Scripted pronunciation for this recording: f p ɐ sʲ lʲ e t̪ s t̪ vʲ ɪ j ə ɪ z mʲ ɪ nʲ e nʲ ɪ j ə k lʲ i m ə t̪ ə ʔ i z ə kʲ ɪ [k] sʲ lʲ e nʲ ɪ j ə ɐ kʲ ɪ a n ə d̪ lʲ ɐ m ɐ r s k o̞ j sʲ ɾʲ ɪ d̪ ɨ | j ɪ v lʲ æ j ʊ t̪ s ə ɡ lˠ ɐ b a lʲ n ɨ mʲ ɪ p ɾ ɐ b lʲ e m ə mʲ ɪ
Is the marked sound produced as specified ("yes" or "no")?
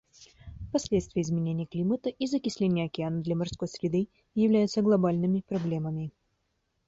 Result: no